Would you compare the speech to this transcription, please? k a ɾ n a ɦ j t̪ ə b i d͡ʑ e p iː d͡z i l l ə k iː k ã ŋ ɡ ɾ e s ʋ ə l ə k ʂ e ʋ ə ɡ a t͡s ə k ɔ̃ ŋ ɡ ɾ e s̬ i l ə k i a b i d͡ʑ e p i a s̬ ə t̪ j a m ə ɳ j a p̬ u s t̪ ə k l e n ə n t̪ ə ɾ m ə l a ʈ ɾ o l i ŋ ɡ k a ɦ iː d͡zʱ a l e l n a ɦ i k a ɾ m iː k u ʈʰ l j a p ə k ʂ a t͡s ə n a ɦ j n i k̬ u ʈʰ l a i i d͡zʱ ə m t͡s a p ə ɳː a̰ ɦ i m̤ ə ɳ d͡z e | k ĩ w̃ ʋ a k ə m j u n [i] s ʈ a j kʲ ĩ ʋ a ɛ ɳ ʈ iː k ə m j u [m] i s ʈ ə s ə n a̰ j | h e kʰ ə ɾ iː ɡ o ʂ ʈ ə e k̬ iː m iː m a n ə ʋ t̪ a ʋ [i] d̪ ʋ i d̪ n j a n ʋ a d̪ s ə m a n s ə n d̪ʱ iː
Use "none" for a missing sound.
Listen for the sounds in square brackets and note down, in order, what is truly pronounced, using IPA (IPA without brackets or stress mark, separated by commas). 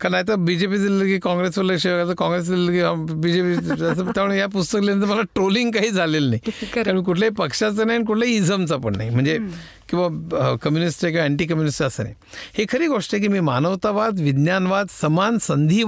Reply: i, n, a